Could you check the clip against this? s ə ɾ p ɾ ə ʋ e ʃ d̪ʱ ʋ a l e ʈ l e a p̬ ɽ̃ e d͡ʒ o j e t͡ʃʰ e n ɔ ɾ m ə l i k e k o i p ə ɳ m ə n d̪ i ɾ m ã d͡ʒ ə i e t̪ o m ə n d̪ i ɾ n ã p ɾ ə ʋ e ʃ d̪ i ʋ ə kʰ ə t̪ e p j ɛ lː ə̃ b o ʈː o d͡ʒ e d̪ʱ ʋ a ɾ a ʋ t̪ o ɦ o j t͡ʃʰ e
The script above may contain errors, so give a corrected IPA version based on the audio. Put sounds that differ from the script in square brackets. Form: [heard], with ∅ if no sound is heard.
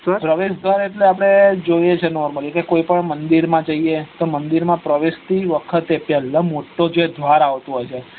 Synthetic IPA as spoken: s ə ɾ p ɾ ə ʋ e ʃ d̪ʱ ʋ a [ɾ] e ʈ l e a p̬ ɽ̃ e d͡ʒ o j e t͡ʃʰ e n ɔ ɾ m ə l i k e k o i p ə ɳ m ə n d̪ i ɾ m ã d͡ʒ ə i e t̪ o m ə n d̪ i ɾ [m] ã p ɾ ə ʋ e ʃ [t̪] i ʋ ə kʰ ə t̪ e p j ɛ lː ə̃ [m] o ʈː o d͡ʒ e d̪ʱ ʋ a ɾ a ʋ t̪ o ɦ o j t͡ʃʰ e